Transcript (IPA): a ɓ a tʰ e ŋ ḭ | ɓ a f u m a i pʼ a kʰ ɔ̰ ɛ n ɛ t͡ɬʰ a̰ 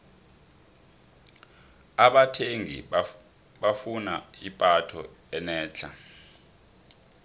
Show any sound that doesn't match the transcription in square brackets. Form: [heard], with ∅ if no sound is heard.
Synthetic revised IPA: a ɓ a tʰ e ŋ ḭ | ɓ a f u [n] a i pʼ a [tʰ] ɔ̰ ɛ n [ɛː] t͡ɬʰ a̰